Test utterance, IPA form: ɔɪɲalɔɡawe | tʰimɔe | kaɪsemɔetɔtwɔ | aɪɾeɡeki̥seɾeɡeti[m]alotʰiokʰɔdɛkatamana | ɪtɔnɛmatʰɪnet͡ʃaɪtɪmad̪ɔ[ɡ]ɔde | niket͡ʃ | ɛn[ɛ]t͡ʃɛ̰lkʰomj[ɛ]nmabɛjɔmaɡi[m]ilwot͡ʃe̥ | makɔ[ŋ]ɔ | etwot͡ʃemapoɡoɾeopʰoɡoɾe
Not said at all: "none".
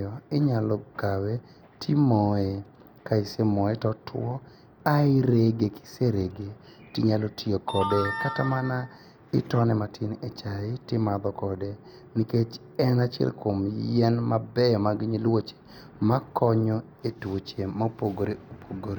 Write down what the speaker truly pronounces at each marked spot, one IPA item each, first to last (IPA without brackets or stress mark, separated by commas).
ɲ, k, a, ɛ, ɲ, ɲ